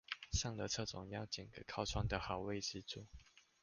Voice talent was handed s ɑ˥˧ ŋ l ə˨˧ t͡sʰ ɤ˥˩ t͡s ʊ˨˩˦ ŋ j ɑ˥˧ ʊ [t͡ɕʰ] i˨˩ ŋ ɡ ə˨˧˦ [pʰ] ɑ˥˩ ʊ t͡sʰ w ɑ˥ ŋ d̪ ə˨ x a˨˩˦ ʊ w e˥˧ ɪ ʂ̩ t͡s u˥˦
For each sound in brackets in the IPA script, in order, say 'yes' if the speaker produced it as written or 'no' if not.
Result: no, no

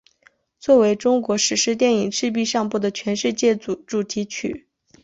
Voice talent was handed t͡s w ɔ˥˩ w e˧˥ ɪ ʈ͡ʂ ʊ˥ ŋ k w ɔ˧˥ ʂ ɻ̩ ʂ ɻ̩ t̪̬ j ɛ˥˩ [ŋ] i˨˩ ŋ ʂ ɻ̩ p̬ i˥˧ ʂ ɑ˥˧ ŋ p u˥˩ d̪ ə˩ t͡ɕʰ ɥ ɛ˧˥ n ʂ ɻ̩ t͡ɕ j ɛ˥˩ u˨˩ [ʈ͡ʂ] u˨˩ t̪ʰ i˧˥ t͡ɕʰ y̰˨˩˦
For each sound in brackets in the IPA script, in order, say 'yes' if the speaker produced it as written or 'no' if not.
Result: no, yes

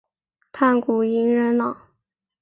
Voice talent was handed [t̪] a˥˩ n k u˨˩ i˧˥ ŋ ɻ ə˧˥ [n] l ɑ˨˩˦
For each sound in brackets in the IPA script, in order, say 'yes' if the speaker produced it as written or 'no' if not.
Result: no, yes

